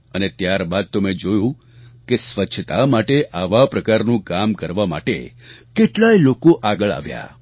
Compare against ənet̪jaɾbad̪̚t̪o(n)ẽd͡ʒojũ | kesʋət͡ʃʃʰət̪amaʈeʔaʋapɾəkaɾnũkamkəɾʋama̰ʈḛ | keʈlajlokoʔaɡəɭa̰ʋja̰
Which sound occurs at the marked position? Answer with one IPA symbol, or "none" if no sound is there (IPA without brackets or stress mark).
m